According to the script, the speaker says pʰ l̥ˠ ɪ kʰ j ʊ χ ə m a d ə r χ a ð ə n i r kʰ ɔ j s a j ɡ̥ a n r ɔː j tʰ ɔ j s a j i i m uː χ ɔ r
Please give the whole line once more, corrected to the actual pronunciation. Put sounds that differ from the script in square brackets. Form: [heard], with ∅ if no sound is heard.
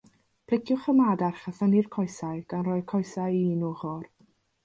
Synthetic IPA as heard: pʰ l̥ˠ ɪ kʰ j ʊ χ ə m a d [a] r χ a [θ] ə n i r kʰ ɔ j s a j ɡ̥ a n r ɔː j [kʰ] ɔ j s a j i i [n] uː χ ɔ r